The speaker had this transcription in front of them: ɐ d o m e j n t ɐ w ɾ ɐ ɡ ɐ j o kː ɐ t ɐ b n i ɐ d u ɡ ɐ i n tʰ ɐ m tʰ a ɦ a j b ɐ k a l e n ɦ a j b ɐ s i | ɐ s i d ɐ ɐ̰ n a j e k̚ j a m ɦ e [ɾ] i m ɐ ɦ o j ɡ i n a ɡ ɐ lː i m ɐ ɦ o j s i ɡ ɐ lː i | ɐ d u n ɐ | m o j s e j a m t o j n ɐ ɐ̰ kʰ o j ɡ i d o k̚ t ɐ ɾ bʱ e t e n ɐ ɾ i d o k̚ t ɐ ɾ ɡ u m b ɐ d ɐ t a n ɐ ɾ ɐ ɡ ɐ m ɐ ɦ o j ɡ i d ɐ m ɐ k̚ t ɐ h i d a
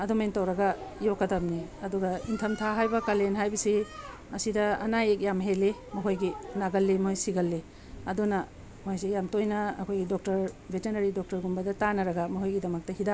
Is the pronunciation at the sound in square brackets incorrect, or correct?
incorrect